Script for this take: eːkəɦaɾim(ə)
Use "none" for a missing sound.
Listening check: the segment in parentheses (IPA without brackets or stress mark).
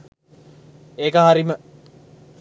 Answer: ə